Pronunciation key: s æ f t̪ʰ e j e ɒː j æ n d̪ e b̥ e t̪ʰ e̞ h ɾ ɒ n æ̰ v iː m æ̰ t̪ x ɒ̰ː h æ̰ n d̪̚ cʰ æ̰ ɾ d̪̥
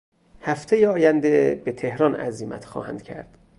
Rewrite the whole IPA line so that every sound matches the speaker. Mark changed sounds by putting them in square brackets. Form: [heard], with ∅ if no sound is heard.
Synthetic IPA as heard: [h] æ f t̪ʰ e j e ɒː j æ n d̪ e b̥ e t̪ʰ e̞ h ɾ ɒ n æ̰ [z] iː m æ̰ t̪ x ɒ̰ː h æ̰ n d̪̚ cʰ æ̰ ɾ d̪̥